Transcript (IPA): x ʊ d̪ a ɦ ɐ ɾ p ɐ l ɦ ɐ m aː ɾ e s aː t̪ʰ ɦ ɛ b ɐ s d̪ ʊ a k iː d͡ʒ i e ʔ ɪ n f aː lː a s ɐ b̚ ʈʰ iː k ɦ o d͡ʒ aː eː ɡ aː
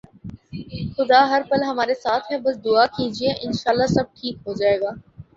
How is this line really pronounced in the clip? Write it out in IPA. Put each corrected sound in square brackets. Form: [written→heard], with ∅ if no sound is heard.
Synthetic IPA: x ʊ d̪ a ɦ ɐ ɾ p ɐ l ɦ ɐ m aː ɾ e s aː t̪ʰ ɦ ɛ b ɐ s d̪ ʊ a k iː d͡ʒ i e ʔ ɪ n [f→ʃ] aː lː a s ɐ b̚ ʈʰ iː k ɦ o d͡ʒ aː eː ɡ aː